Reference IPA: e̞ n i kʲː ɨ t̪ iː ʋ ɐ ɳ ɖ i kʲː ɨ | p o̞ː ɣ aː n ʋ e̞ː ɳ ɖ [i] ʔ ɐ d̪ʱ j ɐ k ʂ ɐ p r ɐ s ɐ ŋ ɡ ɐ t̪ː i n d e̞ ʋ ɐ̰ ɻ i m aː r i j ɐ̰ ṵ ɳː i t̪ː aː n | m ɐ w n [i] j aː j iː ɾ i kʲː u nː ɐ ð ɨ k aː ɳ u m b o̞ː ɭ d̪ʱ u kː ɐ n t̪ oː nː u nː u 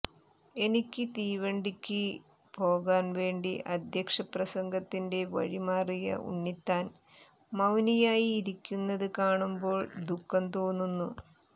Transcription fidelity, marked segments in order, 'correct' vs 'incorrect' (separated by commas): correct, correct